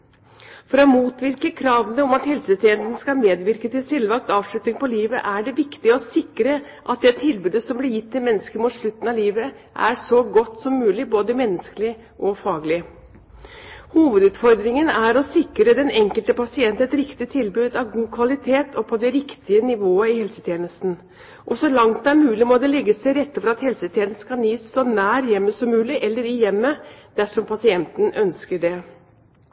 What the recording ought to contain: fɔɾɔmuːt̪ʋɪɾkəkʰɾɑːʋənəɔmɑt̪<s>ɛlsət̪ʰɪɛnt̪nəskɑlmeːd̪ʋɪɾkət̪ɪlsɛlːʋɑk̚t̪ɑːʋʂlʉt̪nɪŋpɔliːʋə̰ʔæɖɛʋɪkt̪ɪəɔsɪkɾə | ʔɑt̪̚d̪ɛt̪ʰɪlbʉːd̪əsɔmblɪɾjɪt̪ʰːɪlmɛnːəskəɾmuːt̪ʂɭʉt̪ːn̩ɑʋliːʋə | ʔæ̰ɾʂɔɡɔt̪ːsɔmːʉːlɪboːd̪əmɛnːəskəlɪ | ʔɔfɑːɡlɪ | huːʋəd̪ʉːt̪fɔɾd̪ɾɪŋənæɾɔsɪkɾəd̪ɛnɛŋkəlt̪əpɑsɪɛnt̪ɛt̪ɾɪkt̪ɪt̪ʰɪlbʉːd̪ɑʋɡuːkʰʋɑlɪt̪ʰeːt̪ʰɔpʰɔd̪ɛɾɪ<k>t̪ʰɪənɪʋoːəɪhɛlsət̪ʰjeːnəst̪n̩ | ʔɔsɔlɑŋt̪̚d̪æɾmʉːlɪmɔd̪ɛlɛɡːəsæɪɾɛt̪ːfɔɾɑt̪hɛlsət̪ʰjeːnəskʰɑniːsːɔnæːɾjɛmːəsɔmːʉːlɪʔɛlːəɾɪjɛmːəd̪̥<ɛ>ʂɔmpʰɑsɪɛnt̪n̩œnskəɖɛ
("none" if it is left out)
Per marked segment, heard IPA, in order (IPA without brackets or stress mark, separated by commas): h, k, æ